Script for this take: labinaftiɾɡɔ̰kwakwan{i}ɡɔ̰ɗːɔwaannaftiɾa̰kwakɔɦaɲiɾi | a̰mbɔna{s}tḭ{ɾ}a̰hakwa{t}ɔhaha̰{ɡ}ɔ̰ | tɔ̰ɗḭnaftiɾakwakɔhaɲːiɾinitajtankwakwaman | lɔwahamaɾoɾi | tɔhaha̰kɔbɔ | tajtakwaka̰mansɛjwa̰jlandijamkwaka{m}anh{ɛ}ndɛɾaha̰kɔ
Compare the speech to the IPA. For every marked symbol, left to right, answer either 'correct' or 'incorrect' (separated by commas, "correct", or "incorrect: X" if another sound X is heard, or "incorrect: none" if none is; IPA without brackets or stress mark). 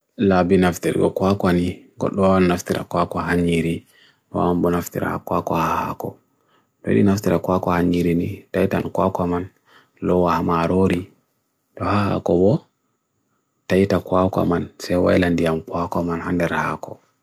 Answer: correct, incorrect: f, correct, incorrect: k, incorrect: k, correct, incorrect: a